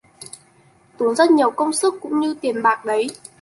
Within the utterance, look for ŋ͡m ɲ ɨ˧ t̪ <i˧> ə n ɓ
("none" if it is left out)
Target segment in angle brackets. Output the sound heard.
i˨˩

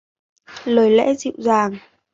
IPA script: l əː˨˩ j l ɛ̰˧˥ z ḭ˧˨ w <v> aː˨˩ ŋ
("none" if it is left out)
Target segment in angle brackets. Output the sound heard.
z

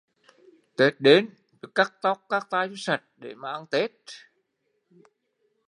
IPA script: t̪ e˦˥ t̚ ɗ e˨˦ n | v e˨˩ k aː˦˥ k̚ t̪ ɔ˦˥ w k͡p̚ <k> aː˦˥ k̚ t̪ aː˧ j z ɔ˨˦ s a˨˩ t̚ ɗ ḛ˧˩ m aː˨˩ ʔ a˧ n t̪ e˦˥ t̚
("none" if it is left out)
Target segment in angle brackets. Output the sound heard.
k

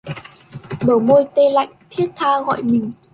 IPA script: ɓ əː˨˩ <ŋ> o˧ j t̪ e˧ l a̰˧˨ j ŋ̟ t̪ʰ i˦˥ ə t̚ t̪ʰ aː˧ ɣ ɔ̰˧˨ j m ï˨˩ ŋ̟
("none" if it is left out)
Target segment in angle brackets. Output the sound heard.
m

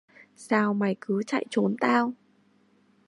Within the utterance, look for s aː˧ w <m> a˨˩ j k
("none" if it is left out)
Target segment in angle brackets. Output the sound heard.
m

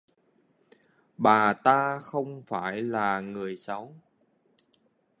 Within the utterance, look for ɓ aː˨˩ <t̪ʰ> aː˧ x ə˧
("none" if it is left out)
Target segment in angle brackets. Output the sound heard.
t̪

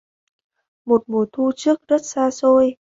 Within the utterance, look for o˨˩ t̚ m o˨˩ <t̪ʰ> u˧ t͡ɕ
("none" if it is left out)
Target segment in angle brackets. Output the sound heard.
t̪ʰ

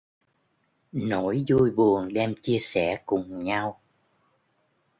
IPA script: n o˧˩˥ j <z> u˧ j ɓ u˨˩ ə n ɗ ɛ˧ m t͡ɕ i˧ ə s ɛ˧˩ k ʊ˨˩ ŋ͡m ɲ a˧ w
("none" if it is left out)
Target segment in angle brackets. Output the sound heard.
z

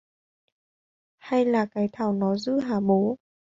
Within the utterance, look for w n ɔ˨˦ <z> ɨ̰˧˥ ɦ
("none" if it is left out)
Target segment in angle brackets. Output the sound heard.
z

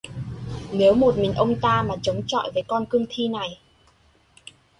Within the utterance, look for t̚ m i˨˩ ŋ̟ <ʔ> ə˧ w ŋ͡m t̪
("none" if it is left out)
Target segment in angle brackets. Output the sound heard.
ʔ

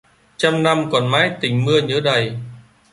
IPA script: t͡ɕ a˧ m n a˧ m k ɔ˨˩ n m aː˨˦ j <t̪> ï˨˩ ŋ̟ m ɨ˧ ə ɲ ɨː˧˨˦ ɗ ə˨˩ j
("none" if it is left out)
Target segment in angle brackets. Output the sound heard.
t̪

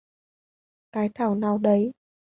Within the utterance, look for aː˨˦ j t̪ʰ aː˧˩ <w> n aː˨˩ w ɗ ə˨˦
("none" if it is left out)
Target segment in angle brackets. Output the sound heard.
w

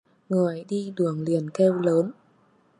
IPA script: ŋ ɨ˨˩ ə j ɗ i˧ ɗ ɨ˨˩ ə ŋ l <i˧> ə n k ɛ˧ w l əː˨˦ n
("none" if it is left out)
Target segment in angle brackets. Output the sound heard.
i˨˩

